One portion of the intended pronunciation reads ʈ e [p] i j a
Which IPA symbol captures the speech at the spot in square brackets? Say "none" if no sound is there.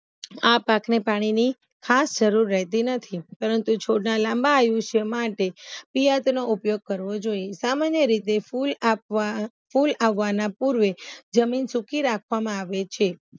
p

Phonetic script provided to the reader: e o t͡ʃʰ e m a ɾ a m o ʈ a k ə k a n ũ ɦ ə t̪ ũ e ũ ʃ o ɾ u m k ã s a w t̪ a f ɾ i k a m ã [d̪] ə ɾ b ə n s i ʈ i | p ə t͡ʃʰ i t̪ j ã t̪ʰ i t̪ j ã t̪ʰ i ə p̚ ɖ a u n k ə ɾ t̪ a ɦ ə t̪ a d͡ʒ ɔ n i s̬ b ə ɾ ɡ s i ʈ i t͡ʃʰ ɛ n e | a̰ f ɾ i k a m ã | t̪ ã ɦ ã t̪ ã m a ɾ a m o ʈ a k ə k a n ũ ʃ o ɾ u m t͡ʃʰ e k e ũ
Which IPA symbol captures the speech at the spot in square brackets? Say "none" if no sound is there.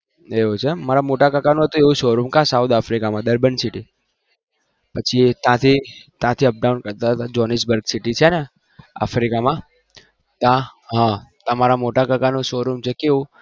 d̪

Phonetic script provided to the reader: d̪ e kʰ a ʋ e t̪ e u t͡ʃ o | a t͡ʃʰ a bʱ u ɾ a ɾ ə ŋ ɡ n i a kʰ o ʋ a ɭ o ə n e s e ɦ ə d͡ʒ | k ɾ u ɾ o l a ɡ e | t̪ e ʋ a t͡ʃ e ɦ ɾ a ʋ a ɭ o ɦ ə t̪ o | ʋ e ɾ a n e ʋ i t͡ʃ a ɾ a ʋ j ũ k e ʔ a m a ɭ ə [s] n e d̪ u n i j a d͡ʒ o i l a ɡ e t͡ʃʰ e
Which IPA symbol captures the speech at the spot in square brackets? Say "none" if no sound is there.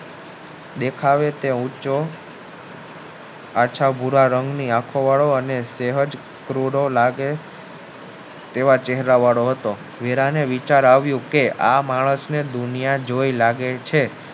s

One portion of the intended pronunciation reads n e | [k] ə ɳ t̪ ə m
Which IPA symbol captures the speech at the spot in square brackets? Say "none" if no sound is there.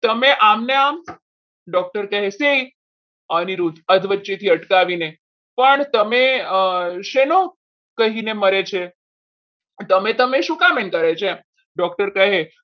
p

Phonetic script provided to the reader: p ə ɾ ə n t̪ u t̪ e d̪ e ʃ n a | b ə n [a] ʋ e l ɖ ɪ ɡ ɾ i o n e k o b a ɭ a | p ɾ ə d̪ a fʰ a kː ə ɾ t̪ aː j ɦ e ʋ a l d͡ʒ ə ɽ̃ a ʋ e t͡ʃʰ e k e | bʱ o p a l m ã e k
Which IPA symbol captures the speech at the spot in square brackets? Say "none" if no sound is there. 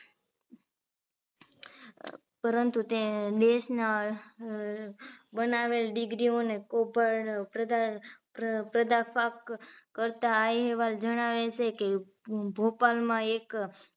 a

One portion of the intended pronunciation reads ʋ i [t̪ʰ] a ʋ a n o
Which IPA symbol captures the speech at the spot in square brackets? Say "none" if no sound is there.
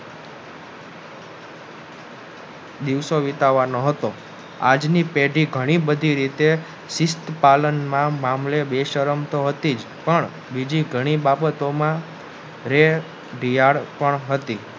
t̪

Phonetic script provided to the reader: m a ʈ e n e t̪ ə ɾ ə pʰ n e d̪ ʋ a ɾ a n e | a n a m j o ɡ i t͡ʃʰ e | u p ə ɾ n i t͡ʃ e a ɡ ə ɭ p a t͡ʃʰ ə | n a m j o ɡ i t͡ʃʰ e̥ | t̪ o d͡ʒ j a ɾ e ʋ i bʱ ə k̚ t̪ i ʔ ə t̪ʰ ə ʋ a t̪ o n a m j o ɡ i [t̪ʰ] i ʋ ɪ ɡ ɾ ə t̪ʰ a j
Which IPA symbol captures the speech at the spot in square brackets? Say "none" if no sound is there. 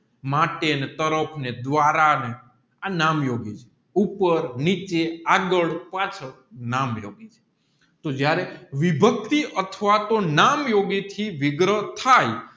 t̪ʰ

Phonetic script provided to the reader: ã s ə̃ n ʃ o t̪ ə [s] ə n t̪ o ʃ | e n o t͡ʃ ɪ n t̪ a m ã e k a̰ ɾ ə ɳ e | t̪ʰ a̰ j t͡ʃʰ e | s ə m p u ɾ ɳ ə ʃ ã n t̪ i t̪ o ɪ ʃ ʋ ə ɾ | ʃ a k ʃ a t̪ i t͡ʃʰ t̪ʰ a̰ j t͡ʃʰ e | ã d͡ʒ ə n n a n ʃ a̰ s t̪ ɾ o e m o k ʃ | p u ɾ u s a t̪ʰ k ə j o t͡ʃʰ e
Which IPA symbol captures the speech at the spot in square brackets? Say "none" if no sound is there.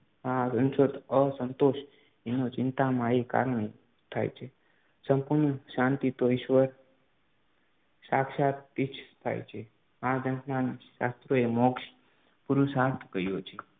s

